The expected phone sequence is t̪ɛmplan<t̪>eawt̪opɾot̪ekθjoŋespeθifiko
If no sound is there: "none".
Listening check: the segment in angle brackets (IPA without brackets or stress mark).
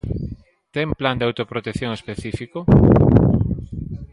d̪